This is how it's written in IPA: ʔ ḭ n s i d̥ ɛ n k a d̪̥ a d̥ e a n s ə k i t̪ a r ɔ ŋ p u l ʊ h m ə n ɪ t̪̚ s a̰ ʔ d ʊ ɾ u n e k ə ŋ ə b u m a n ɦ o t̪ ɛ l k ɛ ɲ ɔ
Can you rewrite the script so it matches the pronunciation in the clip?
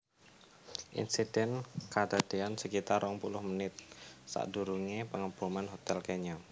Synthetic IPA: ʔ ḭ n s i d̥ ɛ n k a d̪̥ a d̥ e a n s ə k i t̪ a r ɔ ŋ p u l ʊ h m ə n ɪ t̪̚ s a̰ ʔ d u ɾ u ŋ e p ə ŋ ə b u m a n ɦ o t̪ ɛ l k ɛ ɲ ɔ